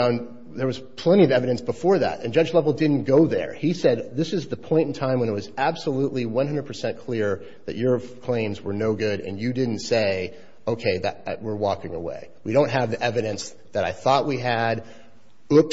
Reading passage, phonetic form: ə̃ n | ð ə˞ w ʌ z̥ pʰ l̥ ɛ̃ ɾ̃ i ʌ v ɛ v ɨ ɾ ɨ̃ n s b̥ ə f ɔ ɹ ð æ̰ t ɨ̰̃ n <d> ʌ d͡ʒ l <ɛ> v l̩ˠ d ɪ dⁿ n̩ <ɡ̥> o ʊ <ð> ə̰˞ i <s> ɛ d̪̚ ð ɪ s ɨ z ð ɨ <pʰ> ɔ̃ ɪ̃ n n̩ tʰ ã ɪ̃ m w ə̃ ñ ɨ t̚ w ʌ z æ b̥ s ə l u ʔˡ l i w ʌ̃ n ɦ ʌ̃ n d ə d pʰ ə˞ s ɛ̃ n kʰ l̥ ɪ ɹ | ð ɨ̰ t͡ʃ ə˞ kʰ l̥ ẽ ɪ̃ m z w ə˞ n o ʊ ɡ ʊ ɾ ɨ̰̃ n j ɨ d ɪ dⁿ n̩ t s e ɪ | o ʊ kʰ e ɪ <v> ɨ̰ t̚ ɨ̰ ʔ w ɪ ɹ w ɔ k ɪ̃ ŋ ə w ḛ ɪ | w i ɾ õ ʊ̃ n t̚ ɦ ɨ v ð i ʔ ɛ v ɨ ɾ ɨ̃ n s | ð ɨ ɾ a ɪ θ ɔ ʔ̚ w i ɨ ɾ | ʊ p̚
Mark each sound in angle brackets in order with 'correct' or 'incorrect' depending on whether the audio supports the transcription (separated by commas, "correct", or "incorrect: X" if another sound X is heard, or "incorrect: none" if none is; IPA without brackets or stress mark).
incorrect: d͡ʒ, correct, correct, correct, correct, correct, incorrect: ð